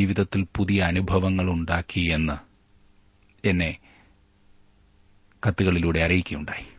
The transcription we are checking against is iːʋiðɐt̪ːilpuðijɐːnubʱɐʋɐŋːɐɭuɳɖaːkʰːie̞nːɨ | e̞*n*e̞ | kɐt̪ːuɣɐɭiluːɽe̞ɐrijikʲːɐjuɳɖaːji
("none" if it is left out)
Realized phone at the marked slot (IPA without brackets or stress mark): nː